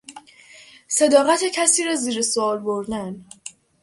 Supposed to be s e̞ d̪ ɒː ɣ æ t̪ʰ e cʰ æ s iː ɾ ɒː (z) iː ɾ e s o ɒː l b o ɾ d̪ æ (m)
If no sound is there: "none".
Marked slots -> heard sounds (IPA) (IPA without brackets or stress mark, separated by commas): z, n